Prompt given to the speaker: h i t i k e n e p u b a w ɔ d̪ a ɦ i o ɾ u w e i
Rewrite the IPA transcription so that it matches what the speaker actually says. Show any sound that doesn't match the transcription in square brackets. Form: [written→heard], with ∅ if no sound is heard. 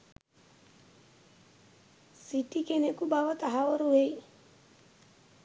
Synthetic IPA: [h→s] i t i k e n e [p→k] u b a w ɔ [d̪→t̪] a ɦ [i→a] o ɾ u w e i